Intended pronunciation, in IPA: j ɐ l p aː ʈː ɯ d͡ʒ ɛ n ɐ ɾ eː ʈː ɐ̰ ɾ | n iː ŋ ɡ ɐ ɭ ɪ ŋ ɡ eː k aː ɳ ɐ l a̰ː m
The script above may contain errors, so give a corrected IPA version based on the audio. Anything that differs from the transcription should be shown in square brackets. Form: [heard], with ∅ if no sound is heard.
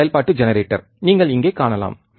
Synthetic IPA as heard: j ɐ l p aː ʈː ɯ d͡ʒ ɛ n ɐ ɾ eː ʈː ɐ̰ ɾ | n iː ŋ ɡ ɐ ɭ ɪ ŋ ɡ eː k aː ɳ ɐ l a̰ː m